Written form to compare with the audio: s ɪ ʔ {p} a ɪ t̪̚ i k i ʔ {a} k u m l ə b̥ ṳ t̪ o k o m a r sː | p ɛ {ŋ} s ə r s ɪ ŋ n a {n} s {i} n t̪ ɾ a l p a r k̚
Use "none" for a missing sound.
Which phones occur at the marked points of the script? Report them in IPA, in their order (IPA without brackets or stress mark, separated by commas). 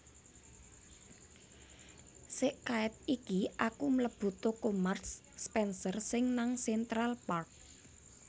k, a, n, ŋ, ɛ